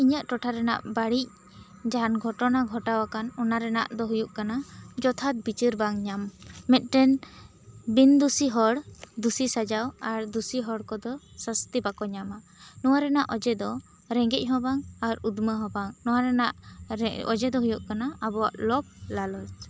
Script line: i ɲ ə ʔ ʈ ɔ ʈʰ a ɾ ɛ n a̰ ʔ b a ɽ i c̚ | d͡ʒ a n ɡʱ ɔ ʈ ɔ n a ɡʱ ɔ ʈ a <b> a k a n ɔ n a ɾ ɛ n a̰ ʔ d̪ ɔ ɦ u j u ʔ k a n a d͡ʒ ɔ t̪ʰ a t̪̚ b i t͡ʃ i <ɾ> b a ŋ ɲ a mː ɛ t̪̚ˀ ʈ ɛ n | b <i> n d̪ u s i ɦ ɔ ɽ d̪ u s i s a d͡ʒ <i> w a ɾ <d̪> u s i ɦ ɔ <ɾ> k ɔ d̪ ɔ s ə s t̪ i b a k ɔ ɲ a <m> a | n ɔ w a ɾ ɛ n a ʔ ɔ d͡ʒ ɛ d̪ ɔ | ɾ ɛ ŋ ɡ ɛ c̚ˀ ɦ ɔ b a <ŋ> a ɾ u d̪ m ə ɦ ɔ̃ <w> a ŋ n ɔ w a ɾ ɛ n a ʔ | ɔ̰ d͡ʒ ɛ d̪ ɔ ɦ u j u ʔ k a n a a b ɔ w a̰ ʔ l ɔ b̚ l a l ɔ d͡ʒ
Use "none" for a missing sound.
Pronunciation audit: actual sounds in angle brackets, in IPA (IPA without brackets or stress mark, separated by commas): w, ɾ, i, a, d̪, ɽ, m, ŋ, b